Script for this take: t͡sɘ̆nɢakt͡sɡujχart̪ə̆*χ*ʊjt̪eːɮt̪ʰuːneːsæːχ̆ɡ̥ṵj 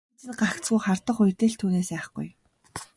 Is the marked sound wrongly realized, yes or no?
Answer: no